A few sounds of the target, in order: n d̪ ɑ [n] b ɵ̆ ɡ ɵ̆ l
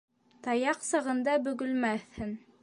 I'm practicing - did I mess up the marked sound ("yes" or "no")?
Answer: yes